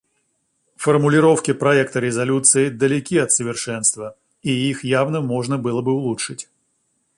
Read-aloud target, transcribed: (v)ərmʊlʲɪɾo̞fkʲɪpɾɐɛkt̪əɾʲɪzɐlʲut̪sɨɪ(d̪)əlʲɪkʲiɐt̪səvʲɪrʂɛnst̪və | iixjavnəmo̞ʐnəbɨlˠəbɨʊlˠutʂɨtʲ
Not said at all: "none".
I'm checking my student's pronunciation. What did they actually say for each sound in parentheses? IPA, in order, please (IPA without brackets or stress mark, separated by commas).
f, d̪